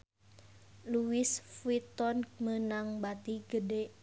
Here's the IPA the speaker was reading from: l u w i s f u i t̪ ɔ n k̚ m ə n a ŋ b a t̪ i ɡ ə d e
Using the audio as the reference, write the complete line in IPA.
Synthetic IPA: l u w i s f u i t̪ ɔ n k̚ m ə n a ŋ b a t̪ i ɡ ə d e